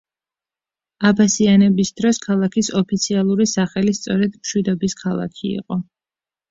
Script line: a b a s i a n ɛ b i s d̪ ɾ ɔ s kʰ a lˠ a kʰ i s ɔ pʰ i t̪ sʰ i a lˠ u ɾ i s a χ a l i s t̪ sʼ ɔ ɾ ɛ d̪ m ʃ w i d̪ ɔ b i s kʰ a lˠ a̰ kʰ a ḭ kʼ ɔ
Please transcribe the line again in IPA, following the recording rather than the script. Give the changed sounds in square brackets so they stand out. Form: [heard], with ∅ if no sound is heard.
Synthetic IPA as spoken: a b a s i a n ɛ b i s d̪ ɾ ɔ s kʰ a lˠ a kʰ i s ɔ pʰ i t̪ sʰ i a lˠ u ɾ i s a χ [ɛ] l i s t̪ sʼ ɔ ɾ ɛ d̪ m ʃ w i d̪ ɔ b i s kʰ a lˠ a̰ kʰ [i] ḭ [qʼ] ɔ